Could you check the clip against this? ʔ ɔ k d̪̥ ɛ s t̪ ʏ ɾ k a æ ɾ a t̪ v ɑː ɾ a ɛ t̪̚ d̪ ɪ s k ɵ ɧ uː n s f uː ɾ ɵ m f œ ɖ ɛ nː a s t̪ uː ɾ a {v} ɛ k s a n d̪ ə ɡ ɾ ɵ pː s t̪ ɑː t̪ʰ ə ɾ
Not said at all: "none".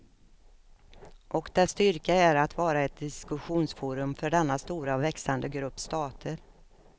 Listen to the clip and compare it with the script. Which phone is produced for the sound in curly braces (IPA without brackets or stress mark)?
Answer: v